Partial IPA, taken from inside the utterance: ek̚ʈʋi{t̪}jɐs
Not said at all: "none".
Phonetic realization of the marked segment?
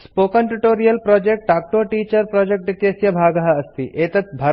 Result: t̪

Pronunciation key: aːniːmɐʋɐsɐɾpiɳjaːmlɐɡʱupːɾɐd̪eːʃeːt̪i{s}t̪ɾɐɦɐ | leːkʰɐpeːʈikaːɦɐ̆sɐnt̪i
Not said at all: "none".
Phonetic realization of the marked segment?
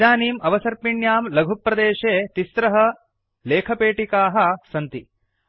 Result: s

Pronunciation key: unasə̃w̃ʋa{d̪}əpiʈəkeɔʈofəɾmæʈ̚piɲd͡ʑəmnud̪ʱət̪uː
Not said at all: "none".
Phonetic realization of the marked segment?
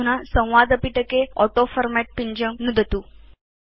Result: d̪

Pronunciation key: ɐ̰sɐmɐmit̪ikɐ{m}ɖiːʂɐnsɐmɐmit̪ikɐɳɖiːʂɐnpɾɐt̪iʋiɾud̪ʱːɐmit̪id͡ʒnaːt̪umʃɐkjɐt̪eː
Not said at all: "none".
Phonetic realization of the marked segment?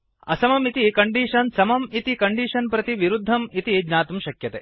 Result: ɳ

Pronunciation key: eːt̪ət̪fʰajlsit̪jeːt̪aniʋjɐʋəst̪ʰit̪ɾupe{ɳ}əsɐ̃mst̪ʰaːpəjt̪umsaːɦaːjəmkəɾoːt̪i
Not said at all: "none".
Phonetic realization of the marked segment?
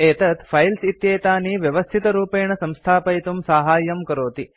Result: ɳ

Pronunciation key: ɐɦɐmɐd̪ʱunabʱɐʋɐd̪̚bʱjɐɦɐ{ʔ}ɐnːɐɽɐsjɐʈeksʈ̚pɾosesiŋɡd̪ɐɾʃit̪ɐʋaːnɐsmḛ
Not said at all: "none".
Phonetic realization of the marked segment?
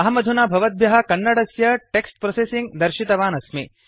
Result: k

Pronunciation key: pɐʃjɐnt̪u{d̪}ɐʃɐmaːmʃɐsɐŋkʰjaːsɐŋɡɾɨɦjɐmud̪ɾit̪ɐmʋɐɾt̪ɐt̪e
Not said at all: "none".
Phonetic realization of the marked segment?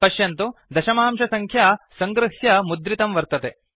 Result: d̪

